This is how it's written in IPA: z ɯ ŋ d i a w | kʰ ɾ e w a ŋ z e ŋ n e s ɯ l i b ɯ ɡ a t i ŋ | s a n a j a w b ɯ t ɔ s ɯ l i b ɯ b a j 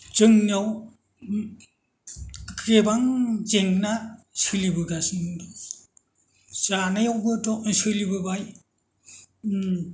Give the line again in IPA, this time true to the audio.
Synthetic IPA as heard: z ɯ ŋ n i a w | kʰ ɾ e b a ŋ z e ŋ n a s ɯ l i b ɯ ɡ a s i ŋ | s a n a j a w b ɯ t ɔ s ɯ l i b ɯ b a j